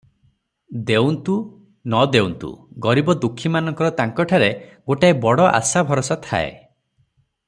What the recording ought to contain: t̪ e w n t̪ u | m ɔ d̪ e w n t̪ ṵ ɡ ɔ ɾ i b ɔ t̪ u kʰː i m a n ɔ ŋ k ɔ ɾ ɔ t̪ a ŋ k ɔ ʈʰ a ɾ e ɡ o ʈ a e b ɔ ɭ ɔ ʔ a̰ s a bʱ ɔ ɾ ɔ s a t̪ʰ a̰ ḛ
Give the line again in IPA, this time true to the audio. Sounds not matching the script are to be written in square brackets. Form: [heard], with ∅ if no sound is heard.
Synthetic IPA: [d̪] e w n t̪ u | [n] ɔ d̪ e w n t̪ ṵ ɡ ɔ ɾ i b ɔ [d̪] u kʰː i m a n ɔ ŋ k ɔ ɾ ɔ t̪ a ŋ k ɔ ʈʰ a ɾ e ɡ o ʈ a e b ɔ [ɽ] ɔ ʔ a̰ s a bʱ ɔ ɾ ɔ s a t̪ʰ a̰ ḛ